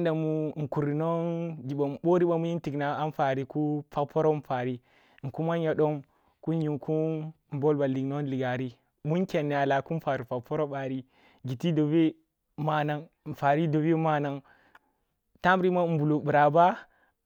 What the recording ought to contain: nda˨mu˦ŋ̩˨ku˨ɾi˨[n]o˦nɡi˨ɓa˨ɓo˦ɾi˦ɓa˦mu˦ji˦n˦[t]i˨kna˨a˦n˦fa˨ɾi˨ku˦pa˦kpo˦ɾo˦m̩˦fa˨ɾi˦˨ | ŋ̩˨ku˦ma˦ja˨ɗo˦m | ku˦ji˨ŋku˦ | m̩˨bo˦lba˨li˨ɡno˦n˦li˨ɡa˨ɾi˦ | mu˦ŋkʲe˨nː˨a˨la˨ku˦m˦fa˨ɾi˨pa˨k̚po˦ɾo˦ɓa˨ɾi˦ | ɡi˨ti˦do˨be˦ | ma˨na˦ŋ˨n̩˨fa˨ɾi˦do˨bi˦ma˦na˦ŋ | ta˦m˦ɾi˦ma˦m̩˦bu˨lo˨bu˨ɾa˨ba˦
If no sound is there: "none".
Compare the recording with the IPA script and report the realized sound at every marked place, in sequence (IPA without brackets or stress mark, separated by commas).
n, t